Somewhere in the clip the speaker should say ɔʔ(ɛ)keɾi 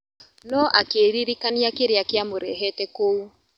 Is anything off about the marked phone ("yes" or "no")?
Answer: yes